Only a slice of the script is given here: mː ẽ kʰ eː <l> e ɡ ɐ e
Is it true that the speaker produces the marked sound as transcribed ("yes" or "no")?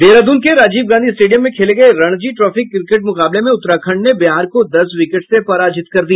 yes